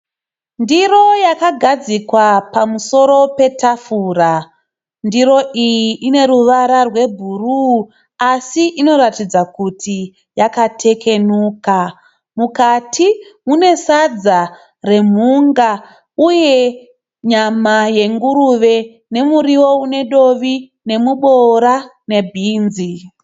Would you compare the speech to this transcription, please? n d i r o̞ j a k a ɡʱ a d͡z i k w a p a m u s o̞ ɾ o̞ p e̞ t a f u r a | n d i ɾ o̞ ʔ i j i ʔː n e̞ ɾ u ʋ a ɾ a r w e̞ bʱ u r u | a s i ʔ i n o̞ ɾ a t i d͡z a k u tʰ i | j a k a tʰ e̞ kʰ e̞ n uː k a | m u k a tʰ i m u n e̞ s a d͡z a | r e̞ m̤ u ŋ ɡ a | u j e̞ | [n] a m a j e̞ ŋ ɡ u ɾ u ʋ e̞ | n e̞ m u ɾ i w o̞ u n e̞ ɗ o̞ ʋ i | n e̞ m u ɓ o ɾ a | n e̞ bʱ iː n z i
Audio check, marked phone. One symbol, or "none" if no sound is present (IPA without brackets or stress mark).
ɲ